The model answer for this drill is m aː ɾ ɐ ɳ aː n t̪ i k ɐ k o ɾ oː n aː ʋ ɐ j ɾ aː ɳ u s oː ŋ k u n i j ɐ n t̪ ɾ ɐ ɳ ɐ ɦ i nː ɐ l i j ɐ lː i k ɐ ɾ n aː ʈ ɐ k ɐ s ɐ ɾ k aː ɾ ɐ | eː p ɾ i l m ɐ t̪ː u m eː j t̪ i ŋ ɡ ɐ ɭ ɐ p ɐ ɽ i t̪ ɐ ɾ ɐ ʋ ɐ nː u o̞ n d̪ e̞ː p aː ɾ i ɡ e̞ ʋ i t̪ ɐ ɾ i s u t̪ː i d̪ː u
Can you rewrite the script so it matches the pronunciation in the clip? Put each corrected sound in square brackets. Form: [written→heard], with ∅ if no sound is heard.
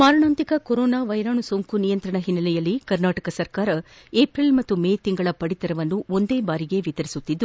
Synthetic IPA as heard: m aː ɾ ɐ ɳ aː n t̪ i k ɐ k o ɾ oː n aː ʋ ɐ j ɾ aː ɳ u s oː ŋ k u n i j ɐ n t̪ ɾ ɐ ɳ ɐ ɦ i nː ɐ l [i→ɛ] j ɐ lː i k ɐ ɾ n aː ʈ ɐ k ɐ s ɐ ɾ k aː ɾ ɐ | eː p ɾ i l m ɐ t̪ː u m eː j t̪ i ŋ ɡ ɐ ɭ ɐ p ɐ ɽ i t̪ ɐ ɾ ɐ ʋ ɐ nː u o̞ n d̪ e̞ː [p→b] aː ɾ i ɡ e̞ ʋ i t̪ ɐ ɾ i s u t̪ː i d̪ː u